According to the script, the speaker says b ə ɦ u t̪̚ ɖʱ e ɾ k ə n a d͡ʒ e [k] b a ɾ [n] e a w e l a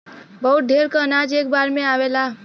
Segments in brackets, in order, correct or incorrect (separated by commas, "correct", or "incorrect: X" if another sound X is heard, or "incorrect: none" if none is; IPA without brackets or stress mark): correct, incorrect: m